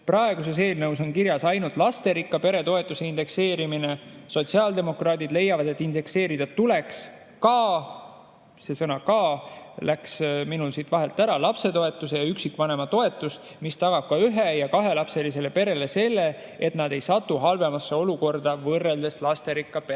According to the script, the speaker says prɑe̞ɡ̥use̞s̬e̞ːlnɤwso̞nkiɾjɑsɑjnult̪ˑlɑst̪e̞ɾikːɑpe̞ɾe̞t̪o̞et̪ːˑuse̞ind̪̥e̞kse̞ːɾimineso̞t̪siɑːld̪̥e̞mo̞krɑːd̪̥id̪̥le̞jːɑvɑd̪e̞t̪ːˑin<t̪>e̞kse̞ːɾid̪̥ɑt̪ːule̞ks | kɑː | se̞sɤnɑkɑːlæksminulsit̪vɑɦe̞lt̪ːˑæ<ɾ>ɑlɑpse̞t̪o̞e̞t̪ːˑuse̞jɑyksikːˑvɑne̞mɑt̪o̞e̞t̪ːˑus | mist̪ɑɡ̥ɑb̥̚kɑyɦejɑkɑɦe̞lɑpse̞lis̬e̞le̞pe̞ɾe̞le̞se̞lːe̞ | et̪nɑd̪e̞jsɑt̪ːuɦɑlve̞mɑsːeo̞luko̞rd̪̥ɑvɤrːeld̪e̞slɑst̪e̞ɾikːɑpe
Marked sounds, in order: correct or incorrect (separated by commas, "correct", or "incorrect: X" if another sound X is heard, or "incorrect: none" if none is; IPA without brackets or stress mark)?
incorrect: d̪, correct